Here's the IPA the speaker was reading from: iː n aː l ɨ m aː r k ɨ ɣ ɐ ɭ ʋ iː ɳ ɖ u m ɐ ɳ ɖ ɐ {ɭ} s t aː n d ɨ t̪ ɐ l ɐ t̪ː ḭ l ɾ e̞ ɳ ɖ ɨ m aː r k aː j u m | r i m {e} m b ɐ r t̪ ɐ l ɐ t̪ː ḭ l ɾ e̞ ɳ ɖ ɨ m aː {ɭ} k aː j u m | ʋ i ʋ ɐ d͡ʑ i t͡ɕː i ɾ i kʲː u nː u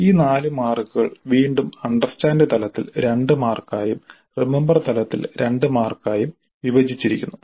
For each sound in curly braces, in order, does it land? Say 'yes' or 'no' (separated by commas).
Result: no, yes, no